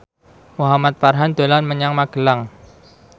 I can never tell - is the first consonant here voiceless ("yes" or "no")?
no